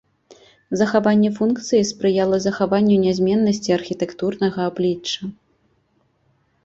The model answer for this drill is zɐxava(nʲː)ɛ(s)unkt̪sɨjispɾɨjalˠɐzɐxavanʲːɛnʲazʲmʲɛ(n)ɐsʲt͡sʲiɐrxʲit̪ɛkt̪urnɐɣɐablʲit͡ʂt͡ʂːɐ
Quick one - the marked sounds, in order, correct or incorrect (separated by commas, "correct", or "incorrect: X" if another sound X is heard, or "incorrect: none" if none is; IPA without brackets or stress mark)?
correct, incorrect: f, incorrect: nː